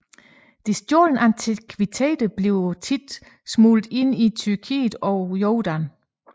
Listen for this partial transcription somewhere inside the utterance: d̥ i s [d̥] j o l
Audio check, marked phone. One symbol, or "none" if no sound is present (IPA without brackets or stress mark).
d̥